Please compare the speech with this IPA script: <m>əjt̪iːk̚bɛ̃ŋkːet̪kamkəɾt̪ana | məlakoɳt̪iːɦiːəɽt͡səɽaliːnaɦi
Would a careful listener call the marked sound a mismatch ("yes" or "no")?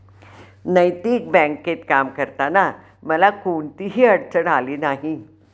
yes